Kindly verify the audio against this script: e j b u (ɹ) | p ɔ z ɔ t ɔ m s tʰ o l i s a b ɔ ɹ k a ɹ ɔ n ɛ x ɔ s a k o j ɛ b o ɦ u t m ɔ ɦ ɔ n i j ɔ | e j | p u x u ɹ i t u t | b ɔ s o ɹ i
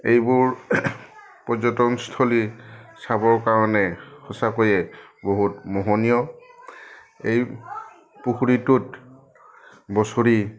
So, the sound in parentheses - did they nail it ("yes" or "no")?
yes